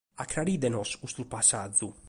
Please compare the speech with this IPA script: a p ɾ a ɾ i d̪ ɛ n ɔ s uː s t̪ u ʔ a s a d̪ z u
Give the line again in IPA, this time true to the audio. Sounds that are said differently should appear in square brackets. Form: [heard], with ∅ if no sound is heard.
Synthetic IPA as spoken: a [k] ɾ a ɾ i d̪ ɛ n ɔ s [u] s t̪ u [p] a s a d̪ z u